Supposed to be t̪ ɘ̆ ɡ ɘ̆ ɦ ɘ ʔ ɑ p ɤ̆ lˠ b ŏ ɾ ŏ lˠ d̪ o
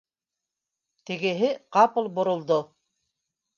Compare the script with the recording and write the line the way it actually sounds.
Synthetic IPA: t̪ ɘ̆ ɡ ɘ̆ ɦ ɘ q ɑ p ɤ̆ lˠ b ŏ ɾ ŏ lˠ d̪ o